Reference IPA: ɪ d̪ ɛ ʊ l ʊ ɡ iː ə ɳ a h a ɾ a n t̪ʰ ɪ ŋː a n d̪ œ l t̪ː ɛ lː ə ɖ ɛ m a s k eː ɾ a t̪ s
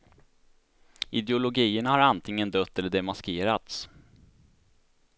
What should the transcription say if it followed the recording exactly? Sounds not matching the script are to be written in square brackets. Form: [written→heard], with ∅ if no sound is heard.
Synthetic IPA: ɪ d̪ ɛ ʊ l ʊ ɡ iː ə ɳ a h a ɾ a n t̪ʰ ɪ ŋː [a→ə] n d̪ œ [l→∅] t̪ː ɛ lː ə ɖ ɛ m a s k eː ɾ a t̪ s

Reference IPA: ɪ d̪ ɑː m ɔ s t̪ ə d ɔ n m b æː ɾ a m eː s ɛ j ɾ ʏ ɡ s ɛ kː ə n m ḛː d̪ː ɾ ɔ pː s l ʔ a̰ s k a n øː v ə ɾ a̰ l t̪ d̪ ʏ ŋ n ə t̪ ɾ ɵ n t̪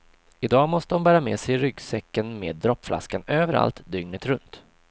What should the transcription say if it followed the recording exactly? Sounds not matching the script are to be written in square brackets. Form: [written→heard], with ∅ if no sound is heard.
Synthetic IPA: ɪ d̪ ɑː m ɔ s t̪ ə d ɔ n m b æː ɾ a m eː s ɛ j ɾ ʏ ɡ s ɛ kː ə n m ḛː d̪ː ɾ ɔ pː [s→f] l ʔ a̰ s k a n øː v ə ɾ a̰ l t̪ d̪ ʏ ŋ n ə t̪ ɾ ɵ n t̪

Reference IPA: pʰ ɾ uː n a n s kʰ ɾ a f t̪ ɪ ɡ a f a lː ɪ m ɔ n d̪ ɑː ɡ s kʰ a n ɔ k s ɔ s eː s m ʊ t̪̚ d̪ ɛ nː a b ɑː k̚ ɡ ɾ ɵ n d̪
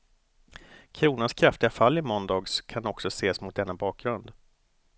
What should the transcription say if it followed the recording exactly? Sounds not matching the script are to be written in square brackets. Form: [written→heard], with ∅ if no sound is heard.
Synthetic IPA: [pʰ→kʰ] ɾ uː n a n s kʰ ɾ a f t̪ ɪ ɡ a f a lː ɪ m ɔ n d̪ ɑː ɡ s kʰ a n ɔ k s ɔ s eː s m ʊ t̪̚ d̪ ɛ nː a b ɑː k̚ ɡ ɾ ɵ n d̪

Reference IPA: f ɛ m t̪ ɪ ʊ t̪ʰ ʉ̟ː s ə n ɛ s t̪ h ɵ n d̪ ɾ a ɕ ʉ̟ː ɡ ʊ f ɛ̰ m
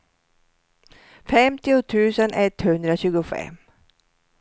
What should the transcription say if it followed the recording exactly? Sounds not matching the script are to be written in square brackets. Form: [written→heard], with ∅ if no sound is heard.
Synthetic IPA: f ɛ m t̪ ɪ ʊ t̪ʰ ʉ̟ː s ə n ɛ [s→∅] t̪ h ɵ n d̪ ɾ a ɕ ʉ̟ː ɡ ʊ f ɛ̰ m

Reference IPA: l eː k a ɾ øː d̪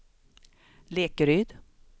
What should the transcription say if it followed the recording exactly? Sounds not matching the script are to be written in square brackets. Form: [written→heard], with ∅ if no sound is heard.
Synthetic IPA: l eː k [a→ə] ɾ [øː→yː] d̪

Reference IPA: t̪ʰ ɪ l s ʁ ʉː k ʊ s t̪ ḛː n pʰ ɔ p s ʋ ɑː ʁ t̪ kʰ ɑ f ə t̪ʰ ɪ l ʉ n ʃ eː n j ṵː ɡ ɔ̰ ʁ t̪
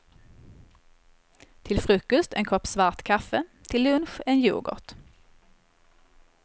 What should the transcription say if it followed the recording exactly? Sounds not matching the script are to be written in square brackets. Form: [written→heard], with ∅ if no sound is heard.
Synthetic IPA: t̪ʰ ɪ l [s→f] ʁ ʉː k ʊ s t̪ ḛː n [pʰ→kʰ] ɔ p s ʋ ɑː ʁ t̪ kʰ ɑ f ə t̪ʰ ɪ l ʉ n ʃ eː n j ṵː ɡ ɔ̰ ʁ t̪

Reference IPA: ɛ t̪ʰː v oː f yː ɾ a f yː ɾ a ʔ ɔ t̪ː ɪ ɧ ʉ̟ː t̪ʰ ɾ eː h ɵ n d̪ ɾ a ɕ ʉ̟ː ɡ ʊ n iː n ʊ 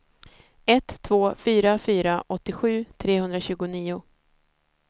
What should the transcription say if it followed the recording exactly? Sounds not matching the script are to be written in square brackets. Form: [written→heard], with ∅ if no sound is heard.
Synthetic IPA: ɛ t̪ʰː v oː f yː ɾ a f yː ɾ a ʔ ɔ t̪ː ɪ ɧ ʉ̟ː t̪ʰ ɾ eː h ɵ n d̪ ɾ a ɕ ʉ̟ː ɡ ʊ n iː [n→∅] ʊ

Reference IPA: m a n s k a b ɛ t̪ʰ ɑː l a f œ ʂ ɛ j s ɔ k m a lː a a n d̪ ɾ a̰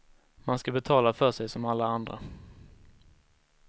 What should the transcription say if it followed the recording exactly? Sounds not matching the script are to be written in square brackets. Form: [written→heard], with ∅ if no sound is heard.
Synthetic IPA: m a n s k a b ɛ t̪ʰ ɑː l a f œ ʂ ɛ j s ɔ [k→∅] m a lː a a n d̪ ɾ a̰

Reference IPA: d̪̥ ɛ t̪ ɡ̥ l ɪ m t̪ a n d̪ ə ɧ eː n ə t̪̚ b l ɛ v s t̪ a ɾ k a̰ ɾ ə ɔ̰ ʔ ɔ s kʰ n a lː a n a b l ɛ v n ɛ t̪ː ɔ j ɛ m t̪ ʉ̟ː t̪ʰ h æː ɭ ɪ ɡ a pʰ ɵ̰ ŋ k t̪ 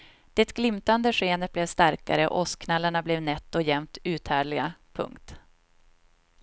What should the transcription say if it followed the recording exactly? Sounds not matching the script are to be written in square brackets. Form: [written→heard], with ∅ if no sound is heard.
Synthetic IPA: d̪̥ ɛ t̪ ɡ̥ l ɪ m t̪ a n d̪ ə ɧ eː n ə t̪̚ b l ɛ v s t̪ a ɾ k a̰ ɾ ə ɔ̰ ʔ ɔ s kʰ n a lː a [n→ɳ] a b l ɛ v n ɛ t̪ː ɔ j ɛ m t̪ ʉ̟ː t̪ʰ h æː ɭ ɪ ɡ a pʰ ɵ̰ ŋ k t̪

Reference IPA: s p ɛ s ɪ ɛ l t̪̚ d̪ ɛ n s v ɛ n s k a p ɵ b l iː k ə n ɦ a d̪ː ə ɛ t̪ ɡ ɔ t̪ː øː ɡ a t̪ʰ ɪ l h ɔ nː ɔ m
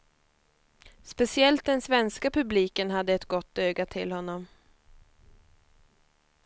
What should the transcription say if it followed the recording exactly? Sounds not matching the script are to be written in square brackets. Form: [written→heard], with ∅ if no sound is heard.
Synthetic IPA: s p ɛ s ɪ ɛ l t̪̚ d̪ ɛ n s v ɛ n s k a p ɵ b l iː k ə n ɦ a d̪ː ə ɛ t̪ ɡ ɔ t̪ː øː ɡ a t̪ʰ ɪ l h ɔ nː ɔ m

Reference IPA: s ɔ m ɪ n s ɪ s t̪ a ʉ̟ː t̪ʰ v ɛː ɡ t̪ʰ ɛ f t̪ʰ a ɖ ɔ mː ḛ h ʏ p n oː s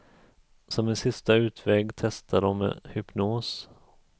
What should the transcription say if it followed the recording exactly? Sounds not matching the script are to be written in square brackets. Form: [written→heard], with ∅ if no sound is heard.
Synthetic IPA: s ɔ m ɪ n s ɪ s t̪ a ʉ̟ː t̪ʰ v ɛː ɡ t̪ʰ ɛ [f→s] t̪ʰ a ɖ ɔ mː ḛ h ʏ p n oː s

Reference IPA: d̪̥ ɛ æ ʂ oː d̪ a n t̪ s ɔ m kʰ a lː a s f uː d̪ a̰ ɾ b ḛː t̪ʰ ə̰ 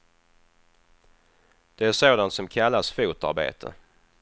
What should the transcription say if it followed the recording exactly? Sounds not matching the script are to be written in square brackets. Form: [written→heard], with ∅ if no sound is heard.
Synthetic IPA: d̪̥ ɛ æ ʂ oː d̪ a n t̪ s ɔ m kʰ a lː a s f uː [d̪→t̪] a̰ ɾ b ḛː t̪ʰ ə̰

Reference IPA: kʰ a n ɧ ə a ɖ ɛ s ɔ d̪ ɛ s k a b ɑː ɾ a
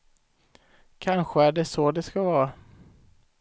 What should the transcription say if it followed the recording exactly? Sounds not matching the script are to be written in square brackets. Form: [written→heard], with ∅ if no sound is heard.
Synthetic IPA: kʰ a n ɧ ə [a→æ] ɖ ɛ s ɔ d̪ ɛ s k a [b→v] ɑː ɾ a

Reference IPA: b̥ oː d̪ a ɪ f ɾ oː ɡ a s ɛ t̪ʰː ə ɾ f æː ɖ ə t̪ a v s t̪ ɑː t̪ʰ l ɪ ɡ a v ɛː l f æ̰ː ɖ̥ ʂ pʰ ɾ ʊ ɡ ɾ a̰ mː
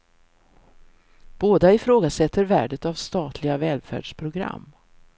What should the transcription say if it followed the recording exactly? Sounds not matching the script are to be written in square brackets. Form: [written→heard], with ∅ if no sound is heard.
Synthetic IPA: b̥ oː d̪ a ɪ f ɾ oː ɡ a s ɛ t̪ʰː ə ɾ [f→v] æː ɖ ə t̪ a v s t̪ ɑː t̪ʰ l ɪ ɡ a v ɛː l f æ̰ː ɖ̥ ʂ pʰ ɾ ʊ ɡ ɾ a̰ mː

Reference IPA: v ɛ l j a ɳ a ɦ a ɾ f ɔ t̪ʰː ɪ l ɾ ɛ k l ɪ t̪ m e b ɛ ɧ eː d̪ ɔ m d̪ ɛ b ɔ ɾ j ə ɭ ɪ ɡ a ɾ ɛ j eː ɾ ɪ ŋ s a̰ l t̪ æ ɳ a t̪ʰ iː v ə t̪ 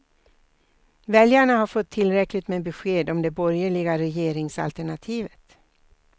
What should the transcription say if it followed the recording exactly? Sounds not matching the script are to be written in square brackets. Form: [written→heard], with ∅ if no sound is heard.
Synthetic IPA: v ɛ l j a ɳ a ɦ a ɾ f ɔ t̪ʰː ɪ l ɾ ɛ k l ɪ t̪ m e b ɛ ɧ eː d̪ ɔ m d̪ ɛ b ɔ ɾ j ə ɭ ɪ ɡ a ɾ ɛ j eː ɾ ɪ ŋ s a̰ l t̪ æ ɳ a t̪ʰ iː v ə t̪

